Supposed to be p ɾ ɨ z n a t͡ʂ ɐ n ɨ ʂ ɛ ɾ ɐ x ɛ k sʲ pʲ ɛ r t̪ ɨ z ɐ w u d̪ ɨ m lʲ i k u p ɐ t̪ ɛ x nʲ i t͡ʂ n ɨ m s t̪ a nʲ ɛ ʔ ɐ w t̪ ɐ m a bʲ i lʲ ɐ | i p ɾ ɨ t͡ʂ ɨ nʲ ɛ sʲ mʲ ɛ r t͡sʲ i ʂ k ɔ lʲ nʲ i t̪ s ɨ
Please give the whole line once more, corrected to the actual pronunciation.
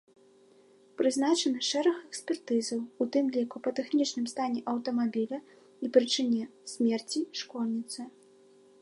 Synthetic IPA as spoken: p ɾ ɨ z n a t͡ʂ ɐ n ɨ ʂ ɛ ɾ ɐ x ɛ k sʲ pʲ ɛ r t̪ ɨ z ɐ w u t̪ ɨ m lʲ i k u p ɐ t̪ ɛ x nʲ i t͡ʂ n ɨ m s t̪ a nʲ ɛ ʔ ɐ w t̪ ɐ m a bʲ i lʲ ɐ | i p ɾ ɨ t͡ʂ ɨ nʲ ɛ sʲ mʲ ɛ r t͡sʲ i ʂ k ɔ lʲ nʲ i t̪ s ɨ